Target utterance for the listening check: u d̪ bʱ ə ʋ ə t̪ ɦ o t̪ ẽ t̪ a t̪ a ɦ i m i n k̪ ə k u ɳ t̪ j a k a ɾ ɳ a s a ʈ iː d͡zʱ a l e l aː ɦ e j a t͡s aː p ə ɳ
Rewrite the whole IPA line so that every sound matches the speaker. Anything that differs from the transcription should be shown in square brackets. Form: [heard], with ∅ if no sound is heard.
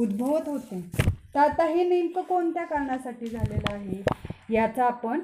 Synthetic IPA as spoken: u d̪ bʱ ə ʋ ə t̪ ɦ o t̪ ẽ t̪ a t̪ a ɦ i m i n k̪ ə k [o] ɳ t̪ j a k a ɾ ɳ a s a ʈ iː d͡zʱ a l e l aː ɦ e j a t͡s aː p ə ɳ